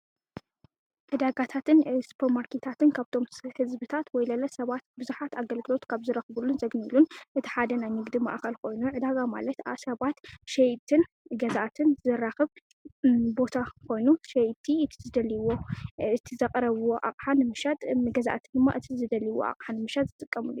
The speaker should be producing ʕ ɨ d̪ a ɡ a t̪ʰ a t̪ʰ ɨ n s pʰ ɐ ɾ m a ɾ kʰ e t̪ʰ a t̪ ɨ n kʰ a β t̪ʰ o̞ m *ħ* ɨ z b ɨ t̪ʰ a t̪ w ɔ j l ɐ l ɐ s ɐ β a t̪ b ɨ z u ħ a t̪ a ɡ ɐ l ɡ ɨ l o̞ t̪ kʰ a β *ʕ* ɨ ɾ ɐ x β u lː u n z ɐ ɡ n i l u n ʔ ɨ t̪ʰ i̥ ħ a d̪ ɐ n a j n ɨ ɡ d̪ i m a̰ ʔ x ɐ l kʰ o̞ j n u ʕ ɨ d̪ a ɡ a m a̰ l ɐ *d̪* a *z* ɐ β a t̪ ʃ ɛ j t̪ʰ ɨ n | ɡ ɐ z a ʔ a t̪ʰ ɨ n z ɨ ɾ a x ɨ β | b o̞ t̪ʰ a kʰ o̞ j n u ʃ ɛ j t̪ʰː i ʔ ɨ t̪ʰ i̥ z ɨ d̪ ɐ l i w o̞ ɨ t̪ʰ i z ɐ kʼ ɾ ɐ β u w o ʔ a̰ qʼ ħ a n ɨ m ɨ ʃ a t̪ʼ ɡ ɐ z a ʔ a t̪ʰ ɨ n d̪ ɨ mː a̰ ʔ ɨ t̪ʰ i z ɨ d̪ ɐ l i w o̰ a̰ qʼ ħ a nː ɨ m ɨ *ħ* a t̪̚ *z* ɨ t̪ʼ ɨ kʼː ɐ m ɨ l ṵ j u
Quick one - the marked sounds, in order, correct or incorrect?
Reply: incorrect, incorrect, incorrect, incorrect, incorrect, correct

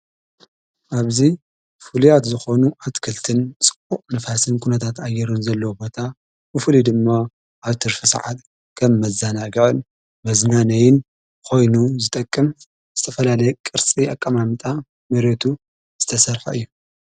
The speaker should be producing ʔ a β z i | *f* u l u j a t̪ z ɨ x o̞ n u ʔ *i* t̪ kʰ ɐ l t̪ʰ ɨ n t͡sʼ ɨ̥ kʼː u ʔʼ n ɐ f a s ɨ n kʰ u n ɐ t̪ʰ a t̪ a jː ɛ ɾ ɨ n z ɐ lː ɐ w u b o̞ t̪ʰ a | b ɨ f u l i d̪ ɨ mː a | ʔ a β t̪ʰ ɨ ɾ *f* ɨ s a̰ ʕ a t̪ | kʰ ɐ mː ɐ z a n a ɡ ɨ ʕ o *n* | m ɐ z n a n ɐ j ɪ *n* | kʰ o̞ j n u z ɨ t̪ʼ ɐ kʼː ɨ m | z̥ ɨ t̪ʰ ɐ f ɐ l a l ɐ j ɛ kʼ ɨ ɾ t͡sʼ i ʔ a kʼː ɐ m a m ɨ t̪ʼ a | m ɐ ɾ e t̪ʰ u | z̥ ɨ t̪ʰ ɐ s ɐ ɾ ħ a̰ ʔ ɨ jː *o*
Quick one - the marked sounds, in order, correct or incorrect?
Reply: correct, incorrect, correct, correct, correct, incorrect

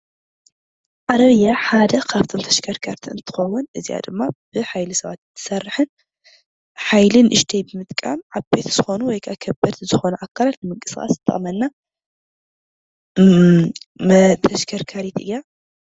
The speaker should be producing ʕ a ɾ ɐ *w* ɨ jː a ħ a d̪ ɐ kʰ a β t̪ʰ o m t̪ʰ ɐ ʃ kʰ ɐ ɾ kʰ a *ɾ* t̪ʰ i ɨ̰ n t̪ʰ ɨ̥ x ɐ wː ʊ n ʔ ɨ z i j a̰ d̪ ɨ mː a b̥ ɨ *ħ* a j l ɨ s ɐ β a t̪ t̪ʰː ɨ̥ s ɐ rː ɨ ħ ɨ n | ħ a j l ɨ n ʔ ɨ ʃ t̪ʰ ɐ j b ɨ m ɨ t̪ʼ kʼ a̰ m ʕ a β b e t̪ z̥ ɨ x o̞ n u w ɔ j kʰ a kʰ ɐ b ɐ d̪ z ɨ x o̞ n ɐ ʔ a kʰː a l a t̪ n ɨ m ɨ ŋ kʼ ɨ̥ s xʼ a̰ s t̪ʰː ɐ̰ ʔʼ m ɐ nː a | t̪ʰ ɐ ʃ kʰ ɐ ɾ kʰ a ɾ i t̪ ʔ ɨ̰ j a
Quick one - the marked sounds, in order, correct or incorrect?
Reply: incorrect, correct, correct

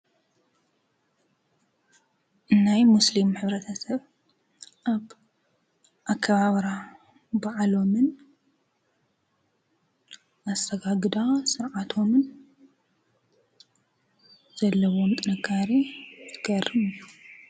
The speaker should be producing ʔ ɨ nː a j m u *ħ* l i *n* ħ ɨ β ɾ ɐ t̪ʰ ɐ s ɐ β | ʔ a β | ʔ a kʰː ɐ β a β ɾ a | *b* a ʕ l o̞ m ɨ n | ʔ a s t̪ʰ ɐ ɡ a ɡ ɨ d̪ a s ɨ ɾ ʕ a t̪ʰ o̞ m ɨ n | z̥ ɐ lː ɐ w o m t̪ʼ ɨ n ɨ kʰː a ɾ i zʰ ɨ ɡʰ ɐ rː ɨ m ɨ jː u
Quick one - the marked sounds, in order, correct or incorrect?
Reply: incorrect, incorrect, correct

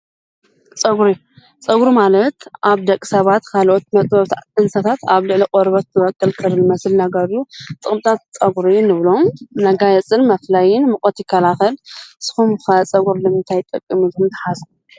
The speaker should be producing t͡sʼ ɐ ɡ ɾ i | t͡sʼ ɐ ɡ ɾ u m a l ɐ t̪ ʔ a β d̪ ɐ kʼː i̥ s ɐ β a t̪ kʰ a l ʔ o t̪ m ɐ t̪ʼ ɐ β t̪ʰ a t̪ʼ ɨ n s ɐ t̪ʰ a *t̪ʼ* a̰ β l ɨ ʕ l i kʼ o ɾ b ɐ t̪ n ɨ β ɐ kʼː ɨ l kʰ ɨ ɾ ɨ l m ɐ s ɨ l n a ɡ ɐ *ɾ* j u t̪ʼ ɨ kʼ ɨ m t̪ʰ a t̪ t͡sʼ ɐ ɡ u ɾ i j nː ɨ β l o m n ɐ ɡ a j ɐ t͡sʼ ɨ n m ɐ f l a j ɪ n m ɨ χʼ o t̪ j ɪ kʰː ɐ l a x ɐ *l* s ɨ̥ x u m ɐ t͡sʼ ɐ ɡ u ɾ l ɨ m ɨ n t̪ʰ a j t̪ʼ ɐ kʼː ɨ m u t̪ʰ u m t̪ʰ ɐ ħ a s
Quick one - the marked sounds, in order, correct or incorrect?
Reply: incorrect, correct, correct

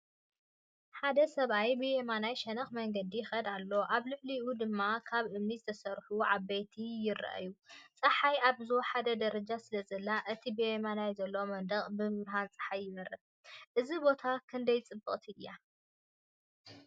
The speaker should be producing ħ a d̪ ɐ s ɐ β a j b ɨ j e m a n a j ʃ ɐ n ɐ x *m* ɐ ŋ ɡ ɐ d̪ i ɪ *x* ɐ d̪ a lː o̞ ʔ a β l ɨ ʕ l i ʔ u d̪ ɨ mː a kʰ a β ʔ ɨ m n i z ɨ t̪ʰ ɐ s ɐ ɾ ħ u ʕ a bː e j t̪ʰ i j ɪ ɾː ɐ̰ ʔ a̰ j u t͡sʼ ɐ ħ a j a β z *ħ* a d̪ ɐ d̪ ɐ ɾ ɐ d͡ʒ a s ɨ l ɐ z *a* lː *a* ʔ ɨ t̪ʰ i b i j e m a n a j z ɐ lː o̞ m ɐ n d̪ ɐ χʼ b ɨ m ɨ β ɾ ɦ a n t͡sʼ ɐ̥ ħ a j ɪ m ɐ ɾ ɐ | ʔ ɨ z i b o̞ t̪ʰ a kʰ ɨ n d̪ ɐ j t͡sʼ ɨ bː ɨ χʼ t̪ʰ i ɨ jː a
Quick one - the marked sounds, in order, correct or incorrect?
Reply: correct, correct, correct, incorrect, correct

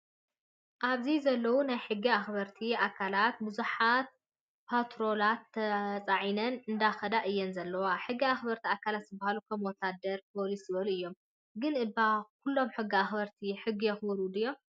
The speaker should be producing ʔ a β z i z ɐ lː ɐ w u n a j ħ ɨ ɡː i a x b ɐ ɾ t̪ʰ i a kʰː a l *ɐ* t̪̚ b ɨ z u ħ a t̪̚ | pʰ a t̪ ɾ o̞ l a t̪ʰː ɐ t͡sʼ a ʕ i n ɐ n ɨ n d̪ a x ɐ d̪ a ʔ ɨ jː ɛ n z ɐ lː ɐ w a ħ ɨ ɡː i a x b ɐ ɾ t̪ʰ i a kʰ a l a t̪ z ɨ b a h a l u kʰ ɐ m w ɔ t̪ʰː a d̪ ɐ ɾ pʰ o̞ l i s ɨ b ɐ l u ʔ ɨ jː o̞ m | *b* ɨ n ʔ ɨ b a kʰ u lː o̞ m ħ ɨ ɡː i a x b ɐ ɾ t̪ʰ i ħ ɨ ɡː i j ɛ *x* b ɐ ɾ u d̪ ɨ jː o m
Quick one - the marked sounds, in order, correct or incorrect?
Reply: incorrect, incorrect, correct

